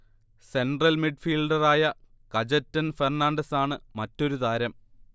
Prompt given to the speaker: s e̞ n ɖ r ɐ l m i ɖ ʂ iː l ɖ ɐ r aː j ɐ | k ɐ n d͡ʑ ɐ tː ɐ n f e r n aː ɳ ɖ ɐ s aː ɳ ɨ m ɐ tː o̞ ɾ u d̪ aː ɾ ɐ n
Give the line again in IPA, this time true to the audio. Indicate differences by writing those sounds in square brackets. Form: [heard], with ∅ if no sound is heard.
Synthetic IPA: s e̞ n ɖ r ɐ l m i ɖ [f] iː l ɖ ɐ r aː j ɐ | k ɐ [∅] d͡ʑ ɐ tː ɐ n f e r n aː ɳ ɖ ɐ s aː ɳ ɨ m ɐ tː o̞ ɾ u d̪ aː ɾ ɐ [m]